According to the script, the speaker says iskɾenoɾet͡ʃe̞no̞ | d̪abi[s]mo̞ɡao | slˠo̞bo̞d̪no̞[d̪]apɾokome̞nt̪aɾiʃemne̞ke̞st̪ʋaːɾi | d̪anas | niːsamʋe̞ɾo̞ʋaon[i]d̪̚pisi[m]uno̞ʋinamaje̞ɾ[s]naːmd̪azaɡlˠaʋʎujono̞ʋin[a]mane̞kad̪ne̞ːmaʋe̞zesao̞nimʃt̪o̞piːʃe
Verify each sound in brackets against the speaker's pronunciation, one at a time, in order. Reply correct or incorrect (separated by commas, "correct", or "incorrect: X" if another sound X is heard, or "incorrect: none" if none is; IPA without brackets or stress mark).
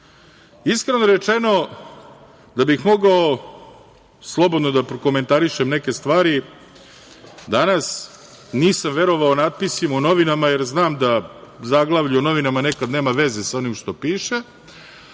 incorrect: x, correct, incorrect: a, correct, incorrect: z, correct